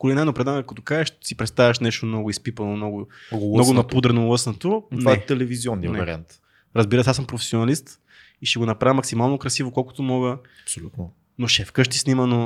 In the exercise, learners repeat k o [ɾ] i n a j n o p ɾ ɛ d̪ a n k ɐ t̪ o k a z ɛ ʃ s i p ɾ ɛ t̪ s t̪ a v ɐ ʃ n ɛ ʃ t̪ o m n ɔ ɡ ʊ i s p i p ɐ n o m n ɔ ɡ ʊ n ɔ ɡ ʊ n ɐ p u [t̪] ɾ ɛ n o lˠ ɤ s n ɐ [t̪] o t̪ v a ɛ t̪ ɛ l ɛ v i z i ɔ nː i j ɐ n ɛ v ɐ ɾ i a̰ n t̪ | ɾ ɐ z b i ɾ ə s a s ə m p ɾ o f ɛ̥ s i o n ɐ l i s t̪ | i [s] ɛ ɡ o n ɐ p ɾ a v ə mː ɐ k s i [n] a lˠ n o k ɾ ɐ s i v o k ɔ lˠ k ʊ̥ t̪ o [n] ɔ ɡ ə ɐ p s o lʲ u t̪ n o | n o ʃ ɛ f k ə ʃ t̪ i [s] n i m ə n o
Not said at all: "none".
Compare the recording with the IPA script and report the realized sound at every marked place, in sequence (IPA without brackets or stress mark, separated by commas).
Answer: l, d̪, t̪, ʃ, m, m, s